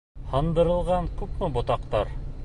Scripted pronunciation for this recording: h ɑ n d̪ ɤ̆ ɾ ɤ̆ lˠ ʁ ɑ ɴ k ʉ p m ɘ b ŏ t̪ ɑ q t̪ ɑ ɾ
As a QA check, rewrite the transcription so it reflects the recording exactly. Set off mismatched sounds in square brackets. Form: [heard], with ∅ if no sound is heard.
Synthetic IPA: h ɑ n d̪ ɤ̆ ɾ ɤ̆ lˠ ʁ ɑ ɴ k ʉ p m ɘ b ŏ t̪ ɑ q t̪ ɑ ɾ